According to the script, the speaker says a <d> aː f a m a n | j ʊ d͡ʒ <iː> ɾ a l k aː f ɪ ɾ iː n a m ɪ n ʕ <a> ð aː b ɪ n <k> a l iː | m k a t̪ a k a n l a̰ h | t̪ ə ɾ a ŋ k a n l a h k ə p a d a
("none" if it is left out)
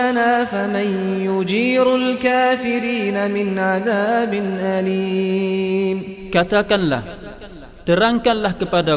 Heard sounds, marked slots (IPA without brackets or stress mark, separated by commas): n, iː, a, ʔ